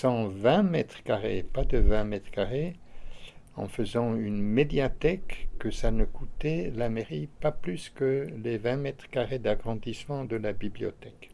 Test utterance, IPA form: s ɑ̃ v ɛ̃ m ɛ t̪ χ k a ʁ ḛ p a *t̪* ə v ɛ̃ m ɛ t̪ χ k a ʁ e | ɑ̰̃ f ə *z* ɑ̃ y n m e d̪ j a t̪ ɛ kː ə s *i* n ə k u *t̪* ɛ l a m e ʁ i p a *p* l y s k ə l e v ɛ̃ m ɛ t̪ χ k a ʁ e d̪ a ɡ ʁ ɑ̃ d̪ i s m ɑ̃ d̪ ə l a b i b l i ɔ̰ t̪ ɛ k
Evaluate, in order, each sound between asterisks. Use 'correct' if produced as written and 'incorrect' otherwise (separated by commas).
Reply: incorrect, correct, incorrect, correct, correct